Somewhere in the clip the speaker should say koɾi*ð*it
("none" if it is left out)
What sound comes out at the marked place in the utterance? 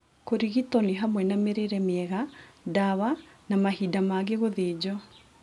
ɣ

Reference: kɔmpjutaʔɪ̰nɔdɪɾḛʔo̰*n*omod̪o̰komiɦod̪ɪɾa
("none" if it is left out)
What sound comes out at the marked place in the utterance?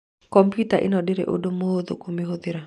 d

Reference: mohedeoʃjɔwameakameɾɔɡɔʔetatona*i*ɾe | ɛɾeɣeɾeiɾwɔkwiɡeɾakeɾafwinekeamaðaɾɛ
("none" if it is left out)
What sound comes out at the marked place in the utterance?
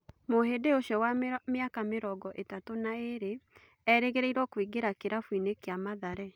e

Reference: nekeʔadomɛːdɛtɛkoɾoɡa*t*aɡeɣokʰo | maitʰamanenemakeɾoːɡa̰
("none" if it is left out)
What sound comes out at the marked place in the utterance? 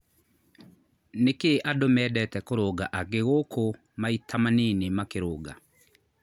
ʔ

